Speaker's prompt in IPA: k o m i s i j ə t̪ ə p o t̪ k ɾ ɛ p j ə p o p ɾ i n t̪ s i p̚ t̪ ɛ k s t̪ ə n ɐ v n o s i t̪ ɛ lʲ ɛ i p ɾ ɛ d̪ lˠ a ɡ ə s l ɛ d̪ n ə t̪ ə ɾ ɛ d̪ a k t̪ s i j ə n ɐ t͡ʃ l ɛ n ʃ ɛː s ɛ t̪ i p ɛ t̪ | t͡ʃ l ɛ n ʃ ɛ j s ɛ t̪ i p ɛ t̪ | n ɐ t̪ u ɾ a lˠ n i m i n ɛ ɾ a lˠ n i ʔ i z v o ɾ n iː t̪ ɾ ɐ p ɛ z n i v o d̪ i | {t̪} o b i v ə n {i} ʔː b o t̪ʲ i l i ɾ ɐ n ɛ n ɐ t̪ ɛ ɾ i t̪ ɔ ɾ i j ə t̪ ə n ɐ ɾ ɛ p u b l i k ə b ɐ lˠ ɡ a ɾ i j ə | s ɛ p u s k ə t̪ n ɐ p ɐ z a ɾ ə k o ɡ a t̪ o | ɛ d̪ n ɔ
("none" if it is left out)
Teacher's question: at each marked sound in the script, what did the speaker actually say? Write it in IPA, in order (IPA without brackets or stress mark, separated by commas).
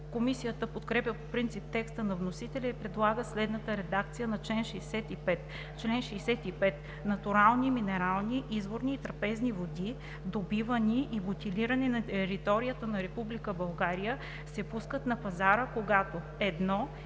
d̪, i